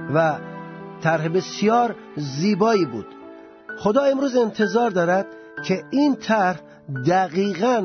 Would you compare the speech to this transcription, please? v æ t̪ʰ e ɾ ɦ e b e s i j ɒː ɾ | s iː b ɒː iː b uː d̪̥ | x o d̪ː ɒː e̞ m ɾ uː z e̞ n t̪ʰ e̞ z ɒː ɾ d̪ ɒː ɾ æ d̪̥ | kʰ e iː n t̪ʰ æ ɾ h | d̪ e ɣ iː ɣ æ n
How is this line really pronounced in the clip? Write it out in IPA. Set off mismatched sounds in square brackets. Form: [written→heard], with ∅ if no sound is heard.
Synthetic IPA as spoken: v æ t̪ʰ [e→æ] ɾ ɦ e b e s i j ɒː ɾ | [s→z] iː b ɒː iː b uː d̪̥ | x o [d̪ː→d̪] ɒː e̞ m ɾ uː z e̞ n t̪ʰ e̞ z ɒː ɾ d̪ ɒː ɾ æ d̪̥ | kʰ e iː n t̪ʰ æ ɾ h | d̪ [e→æ] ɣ iː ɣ æ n